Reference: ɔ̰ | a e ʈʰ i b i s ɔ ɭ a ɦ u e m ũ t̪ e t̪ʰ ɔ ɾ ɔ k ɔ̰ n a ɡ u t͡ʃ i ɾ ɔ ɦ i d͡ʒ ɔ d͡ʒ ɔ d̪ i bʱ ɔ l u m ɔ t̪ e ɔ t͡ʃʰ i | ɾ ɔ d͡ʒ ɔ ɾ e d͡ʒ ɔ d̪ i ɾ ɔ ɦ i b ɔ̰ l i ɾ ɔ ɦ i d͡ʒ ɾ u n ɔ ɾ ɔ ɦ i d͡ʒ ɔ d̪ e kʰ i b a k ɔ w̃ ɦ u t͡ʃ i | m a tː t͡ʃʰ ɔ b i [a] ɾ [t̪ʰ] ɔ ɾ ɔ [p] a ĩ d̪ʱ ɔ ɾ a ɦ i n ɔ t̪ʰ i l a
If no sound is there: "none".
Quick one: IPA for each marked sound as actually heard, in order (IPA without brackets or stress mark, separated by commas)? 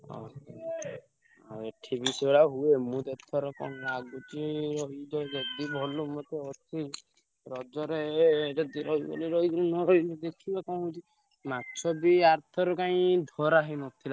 a, t̪ʰ, k